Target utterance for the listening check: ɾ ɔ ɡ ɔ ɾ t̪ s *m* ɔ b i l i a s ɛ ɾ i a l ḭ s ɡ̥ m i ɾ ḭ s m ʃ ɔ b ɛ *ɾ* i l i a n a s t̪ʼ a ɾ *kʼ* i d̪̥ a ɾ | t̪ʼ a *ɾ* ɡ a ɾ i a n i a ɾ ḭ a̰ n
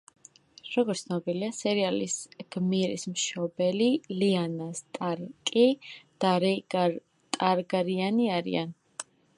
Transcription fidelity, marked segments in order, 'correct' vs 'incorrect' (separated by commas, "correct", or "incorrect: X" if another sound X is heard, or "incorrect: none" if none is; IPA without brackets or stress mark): incorrect: n, incorrect: l, correct, correct